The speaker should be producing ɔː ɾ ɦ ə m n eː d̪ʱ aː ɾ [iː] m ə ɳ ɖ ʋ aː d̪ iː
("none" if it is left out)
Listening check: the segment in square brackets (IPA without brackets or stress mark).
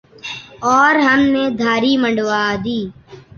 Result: iː